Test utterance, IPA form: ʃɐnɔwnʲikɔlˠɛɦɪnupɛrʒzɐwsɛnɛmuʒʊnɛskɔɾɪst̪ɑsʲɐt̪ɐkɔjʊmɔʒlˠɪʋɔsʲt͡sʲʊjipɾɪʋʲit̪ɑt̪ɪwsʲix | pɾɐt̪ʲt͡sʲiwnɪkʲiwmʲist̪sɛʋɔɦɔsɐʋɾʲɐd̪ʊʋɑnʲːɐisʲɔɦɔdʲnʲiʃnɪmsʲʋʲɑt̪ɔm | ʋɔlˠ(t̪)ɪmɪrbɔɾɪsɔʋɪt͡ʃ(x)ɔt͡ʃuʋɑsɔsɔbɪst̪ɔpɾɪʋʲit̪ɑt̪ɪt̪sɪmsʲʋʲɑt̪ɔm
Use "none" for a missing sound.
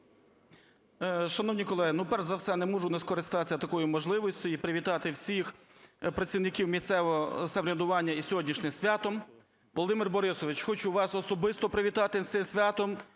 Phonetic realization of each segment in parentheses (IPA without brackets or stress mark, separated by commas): d̪, x